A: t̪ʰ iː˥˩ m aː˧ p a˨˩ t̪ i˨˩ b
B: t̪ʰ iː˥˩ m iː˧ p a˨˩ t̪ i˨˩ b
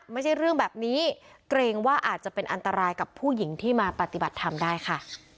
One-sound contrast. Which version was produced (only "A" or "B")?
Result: A